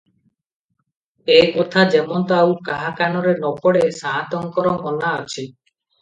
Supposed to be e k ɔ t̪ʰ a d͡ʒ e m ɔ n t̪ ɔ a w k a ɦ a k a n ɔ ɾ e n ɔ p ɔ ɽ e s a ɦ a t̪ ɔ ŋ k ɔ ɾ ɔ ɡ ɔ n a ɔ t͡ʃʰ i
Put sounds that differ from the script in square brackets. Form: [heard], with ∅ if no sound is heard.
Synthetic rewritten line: e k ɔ t̪ʰ a d͡ʒ e m ɔ n t̪ ɔ a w k a ɦ a k a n ɔ ɾ e n ɔ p ɔ ɽ e s a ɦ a t̪ ɔ ŋ k ɔ ɾ ɔ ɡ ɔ n a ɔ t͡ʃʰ i